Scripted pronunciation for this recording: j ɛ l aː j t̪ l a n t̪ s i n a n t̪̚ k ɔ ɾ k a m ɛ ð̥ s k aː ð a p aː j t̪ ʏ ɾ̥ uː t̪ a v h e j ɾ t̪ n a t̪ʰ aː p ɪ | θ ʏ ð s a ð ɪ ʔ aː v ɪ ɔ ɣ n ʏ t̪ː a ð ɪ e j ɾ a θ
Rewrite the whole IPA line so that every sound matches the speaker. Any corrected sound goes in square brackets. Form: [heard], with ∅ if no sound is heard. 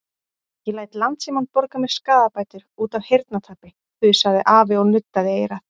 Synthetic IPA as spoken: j ɛ l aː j t̪ l a n t̪ s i [m] a n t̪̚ [p] ɔ ɾ k a m ɛ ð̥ s k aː ð a p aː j t̪ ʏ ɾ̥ uː t̪ a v h e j ɾ t̪ n a t̪ʰ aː p ɪ | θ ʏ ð s a ð ɪ ʔ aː v ɪ ɔ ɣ n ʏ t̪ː a ð ɪ e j ɾ a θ